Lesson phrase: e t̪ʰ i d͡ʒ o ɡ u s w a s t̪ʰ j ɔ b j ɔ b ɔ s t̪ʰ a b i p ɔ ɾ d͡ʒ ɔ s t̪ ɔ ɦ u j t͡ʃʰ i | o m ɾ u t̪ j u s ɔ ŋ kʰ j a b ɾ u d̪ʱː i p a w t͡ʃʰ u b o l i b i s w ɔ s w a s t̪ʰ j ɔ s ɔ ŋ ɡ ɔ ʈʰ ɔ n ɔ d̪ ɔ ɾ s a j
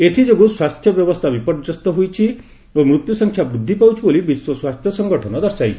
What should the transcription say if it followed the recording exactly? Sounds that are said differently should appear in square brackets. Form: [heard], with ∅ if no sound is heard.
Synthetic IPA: e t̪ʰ i d͡ʒ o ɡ u s w a s t̪ʰ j ɔ b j ɔ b ɔ s t̪ʰ a b i p ɔ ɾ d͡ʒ ɔ s t̪ ɔ ɦ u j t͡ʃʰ i | o m ɾ u t̪ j u s ɔ ŋ kʰ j a b ɾ u d̪ʱː i p a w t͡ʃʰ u b o l i b i s w ɔ s w a s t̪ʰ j ɔ s ɔ ŋ ɡ ɔ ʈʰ ɔ n ɔ d̪ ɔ ɾ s a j

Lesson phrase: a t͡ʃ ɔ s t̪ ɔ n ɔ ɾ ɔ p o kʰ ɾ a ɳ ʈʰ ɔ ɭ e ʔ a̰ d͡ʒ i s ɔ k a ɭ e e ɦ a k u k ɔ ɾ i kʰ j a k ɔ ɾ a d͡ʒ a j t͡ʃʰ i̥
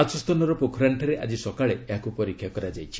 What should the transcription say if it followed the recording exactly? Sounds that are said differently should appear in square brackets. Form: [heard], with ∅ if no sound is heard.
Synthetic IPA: a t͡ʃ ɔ s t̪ ɔ n ɔ ɾ ɔ p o kʰ ɾ a ɳ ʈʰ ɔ [ɾ] e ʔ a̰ d͡ʒ i s ɔ k a ɭ e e ɦ a k u [p] ɔ ɾ i kʰ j a k ɔ ɾ a d͡ʒ a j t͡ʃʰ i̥

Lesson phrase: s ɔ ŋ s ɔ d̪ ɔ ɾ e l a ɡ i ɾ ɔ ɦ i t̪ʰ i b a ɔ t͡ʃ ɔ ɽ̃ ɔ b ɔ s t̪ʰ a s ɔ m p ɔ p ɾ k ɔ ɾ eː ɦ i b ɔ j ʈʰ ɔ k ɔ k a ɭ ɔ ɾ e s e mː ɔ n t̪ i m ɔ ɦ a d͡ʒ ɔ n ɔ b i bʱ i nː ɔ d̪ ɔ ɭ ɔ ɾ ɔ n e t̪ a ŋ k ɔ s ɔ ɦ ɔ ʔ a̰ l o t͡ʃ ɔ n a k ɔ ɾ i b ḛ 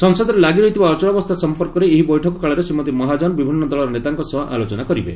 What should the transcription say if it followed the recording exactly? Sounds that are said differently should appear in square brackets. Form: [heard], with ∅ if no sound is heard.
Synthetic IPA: s ɔ ŋ s ɔ d̪ ɔ ɾ e l a ɡ i ɾ ɔ ɦ i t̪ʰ i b a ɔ t͡ʃ ɔ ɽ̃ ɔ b ɔ s t̪ʰ a s ɔ m p ɔ [∅] ɾ k ɔ ɾ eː ɦ i b ɔ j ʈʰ ɔ k ɔ k a ɭ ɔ ɾ e s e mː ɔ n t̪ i m ɔ ɦ a d͡ʒ ɔ n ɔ b i bʱ i nː ɔ d̪ ɔ ɭ ɔ ɾ ɔ n e t̪ a ŋ k ɔ s ɔ ɦ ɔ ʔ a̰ l o t͡ʃ ɔ n a k ɔ ɾ i b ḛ

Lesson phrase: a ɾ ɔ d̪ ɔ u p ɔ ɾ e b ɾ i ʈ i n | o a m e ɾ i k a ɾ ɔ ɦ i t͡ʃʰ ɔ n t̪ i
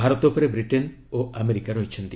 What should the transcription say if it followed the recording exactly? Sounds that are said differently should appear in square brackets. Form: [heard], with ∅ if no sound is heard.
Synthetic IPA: a ɾ ɔ [t̪] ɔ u p ɔ ɾ e b ɾ i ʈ [e] n | o a m e ɾ i k a ɾ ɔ ɦ i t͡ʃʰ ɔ n t̪ i

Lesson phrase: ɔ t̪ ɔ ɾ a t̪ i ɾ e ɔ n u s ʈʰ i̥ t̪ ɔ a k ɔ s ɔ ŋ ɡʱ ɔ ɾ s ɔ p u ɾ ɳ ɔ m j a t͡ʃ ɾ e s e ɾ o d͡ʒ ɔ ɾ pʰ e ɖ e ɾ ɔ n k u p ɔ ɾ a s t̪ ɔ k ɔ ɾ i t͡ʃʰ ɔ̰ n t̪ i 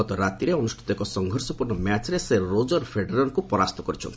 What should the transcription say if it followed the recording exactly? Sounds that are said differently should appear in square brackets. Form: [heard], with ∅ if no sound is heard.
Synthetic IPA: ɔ t̪ ɔ ɾ a t̪ i ɾ e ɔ n u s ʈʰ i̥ t̪ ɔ [e] k ɔ s ɔ ŋ ɡʱ ɔ ɾ s ɔ p u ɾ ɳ ɔ m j a t͡ʃ ɾ e s e ɾ o d͡ʒ ɔ ɾ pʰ e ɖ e ɾ ɔ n k u p ɔ ɾ a s t̪ ɔ k ɔ ɾ i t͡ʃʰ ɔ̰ n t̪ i

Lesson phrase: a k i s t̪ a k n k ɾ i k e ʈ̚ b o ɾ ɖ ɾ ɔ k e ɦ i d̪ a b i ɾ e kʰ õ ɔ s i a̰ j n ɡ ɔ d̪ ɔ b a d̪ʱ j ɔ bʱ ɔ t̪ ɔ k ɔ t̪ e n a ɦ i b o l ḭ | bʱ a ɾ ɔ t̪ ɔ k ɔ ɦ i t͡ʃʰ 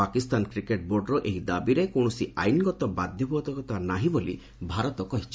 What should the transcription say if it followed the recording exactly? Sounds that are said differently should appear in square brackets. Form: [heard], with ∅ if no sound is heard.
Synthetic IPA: a k i s t̪ a [∅] n k ɾ i k e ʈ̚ b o ɾ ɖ ɾ ɔ [ʔ] e ɦ i d̪ a b i ɾ e [k] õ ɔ s i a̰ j n ɡ ɔ [t̪] ɔ b a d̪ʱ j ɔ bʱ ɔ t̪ ɔ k ɔ t̪ [a] n a ɦ i b o l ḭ | bʱ a ɾ ɔ t̪ ɔ k ɔ ɦ i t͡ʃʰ

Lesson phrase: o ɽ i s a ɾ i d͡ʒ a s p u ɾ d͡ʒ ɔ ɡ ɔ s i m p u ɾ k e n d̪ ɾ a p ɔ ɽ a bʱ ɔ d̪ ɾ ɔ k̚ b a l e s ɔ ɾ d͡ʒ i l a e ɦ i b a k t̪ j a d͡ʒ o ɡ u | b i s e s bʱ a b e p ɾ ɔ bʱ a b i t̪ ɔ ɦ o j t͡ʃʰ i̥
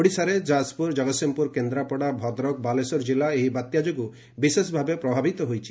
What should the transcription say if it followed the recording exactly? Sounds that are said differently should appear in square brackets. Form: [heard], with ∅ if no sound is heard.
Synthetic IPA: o ɽ i s a ɾ [e] d͡ʒ a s p u ɾ d͡ʒ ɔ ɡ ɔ s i m p u ɾ k e n d̪ ɾ a p ɔ ɽ a bʱ ɔ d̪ ɾ ɔ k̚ b a l e s ɔ ɾ d͡ʒ i l a e ɦ i b a [∅] t̪ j a d͡ʒ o ɡ u | b i s e s bʱ a b e p ɾ ɔ bʱ a b i t̪ ɔ ɦ o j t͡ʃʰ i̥

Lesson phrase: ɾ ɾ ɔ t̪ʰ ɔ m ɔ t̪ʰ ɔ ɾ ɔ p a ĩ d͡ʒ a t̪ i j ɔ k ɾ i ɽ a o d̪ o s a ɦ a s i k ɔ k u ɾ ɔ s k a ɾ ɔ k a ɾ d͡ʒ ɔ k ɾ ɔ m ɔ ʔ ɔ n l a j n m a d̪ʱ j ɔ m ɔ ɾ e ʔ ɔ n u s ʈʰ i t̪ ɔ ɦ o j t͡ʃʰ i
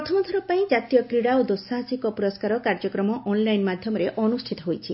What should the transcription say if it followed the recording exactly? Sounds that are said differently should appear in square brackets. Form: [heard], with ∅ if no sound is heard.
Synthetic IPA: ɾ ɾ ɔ t̪ʰ ɔ m ɔ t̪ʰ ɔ ɾ ɔ p a ĩ d͡ʒ a t̪ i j ɔ k ɾ i ɽ a o d̪ o s a ɦ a s i k ɔ [p] u ɾ ɔ s k a ɾ ɔ k a ɾ d͡ʒ ɔ k ɾ ɔ m ɔ ʔ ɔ n l a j n m a d̪ʱ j ɔ m ɔ ɾ e ʔ ɔ n u s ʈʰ i t̪ ɔ ɦ o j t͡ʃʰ i

